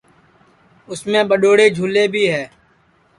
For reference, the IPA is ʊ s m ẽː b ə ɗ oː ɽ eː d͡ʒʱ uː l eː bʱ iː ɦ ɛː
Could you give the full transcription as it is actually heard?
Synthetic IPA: ʊ s m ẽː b ə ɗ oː ɽ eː d͡ʒʱ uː l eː bʱ iː ɦ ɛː